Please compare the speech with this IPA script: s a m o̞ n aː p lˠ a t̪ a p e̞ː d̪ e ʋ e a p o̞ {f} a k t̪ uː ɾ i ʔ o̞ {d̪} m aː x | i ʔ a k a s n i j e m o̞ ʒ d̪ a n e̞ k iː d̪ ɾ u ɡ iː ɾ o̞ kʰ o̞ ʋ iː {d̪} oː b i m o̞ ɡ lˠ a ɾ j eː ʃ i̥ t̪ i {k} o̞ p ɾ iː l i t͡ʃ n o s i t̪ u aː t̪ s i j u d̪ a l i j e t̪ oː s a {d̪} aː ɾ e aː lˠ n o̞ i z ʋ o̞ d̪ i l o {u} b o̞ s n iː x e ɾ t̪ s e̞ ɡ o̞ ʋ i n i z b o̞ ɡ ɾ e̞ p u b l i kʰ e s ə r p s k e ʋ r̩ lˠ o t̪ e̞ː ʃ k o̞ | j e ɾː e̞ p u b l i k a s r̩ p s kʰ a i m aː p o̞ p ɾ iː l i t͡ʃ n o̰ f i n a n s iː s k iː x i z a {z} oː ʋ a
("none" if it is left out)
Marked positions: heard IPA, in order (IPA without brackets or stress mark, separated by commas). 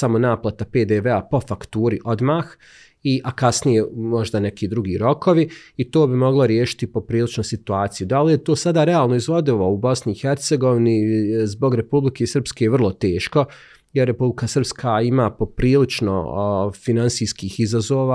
f, d̪, t̪, p, d̪, u, z